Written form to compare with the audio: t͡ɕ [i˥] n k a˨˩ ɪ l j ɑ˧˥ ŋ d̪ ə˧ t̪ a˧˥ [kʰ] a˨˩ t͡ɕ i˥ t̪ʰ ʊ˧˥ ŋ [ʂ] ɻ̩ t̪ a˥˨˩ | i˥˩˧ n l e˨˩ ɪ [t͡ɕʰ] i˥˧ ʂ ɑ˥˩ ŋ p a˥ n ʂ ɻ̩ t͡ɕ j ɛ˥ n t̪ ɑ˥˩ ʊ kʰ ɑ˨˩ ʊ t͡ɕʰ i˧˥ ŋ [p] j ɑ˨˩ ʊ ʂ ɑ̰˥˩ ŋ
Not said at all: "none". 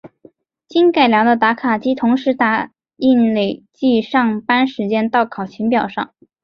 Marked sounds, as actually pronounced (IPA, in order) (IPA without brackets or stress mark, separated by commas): i˥, kʰ, ʂ, t͡ɕ, p